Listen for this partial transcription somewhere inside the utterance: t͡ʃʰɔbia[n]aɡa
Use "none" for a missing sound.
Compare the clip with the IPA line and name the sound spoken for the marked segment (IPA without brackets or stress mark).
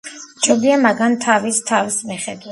m